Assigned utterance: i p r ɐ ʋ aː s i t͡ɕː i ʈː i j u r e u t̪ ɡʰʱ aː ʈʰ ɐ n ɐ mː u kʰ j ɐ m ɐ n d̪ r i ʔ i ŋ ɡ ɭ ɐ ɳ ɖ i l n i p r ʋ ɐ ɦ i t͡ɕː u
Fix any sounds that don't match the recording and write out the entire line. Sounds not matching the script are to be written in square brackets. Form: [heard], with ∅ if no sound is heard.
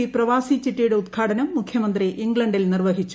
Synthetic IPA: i p r ɐ ʋ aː s i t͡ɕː i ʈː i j u [ɽ] e u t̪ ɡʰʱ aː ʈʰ ɐ n ɐ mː u kʰ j ɐ m ɐ n d̪ r i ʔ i ŋ ɡ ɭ ɐ ɳ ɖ i l n i [∅] r ʋ ɐ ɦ i t͡ɕː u